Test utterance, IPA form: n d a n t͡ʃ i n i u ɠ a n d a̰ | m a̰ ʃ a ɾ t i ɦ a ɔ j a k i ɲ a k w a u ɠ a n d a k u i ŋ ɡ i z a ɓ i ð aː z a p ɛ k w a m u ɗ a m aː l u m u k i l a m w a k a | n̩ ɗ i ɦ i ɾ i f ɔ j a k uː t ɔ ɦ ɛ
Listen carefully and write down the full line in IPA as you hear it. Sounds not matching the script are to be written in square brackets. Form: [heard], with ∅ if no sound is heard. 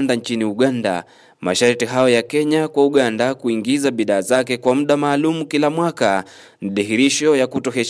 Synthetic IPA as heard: n d a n t͡ʃ i n i u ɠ a n d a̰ | m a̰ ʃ a ɾ t i ɦ a ɔ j a k [ɛ] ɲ a k w a u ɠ a n d a k u i ŋ ɡ i z a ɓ i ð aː z a [k] ɛ k w a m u ɗ a m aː l u m u k i l a m w a k a | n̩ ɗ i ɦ i ɾ i [ʃ] ɔ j a k [u] t ɔ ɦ ɛ